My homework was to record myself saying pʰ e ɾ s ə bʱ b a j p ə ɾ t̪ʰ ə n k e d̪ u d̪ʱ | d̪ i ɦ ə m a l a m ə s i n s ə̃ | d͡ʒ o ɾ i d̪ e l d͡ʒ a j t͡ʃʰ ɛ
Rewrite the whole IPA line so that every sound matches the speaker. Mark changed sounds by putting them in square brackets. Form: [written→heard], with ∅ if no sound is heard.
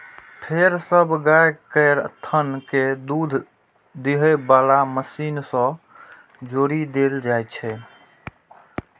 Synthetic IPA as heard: pʰ e ɾ s ə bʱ [b→ɡ] a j [p→k] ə ɾ t̪ʰ ə n k e d̪ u d̪ʱ | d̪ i ɦ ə [m→b] a l a m ə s i n s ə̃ | d͡ʒ o ɾ i d̪ e l d͡ʒ a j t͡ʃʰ ɛ